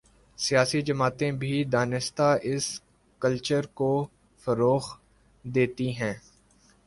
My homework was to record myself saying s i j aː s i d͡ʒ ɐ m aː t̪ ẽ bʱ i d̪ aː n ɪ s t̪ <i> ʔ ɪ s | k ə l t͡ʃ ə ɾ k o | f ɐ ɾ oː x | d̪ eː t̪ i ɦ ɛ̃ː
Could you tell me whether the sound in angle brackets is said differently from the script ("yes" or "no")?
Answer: yes